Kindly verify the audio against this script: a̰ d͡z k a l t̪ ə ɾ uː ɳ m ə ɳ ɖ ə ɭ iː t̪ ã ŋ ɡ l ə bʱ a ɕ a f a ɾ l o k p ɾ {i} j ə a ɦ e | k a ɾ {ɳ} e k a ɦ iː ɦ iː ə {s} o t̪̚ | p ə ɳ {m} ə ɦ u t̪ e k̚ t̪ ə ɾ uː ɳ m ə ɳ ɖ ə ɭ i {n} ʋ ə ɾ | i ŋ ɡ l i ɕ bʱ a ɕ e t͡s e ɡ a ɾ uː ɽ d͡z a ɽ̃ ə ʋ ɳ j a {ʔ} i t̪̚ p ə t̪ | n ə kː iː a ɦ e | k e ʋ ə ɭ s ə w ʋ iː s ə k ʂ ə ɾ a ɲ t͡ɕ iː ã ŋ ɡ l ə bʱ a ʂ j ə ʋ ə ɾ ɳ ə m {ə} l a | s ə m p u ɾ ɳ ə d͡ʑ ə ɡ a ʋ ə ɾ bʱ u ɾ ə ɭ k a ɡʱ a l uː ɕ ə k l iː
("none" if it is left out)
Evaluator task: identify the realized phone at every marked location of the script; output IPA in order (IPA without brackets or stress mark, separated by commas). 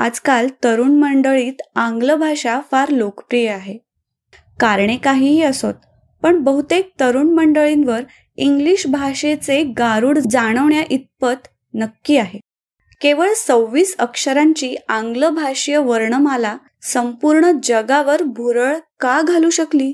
i, ɳ, s, b, n, ʔ, a